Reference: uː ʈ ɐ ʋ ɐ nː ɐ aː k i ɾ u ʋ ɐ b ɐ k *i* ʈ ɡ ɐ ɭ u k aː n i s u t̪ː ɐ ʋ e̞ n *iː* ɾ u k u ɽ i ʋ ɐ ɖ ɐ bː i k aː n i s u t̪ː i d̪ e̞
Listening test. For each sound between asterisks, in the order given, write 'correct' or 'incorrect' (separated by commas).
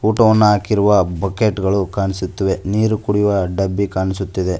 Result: incorrect, correct